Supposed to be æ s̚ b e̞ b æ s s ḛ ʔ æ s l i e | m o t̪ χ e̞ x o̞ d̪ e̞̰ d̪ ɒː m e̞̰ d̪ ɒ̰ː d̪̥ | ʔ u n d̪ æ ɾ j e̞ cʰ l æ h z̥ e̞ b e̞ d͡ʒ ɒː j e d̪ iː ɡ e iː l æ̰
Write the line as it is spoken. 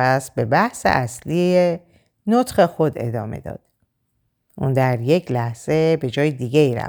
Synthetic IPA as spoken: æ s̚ b e̞ b æ h s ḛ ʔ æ s l i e | n o t̪ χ e̞ x o̞ d̪ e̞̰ d̪ ɒː m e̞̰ d̪ ɒ̰ː d̪̥ | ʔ u n d̪ æ ɾ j e̞ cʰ l æ h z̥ e̞ b e̞ d͡ʒ ɒː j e d̪ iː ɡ e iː ɾ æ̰